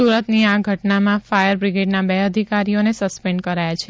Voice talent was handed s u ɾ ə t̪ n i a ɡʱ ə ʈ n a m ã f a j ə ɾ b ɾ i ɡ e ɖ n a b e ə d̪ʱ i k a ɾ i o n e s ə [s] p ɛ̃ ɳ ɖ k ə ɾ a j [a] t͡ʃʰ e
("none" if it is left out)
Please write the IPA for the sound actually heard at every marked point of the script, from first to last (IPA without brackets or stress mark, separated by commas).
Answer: s, a